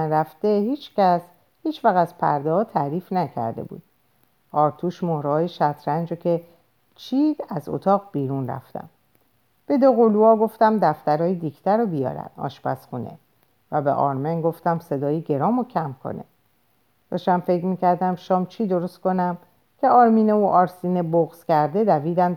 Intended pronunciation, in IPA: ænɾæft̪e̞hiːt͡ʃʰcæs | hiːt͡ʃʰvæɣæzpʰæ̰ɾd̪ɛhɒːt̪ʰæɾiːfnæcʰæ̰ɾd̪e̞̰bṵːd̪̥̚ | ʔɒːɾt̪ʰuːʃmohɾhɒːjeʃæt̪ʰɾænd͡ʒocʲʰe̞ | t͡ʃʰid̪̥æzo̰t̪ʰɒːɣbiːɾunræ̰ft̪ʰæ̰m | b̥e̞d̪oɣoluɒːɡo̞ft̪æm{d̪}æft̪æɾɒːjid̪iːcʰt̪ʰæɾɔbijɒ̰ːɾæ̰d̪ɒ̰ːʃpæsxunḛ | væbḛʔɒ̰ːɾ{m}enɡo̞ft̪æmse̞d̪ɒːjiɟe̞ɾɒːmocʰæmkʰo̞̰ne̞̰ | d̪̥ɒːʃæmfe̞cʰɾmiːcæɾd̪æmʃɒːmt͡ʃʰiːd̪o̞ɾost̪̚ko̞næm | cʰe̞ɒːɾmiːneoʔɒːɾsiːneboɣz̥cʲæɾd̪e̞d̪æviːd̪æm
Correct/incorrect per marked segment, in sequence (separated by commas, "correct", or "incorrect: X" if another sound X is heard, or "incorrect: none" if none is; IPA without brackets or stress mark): correct, correct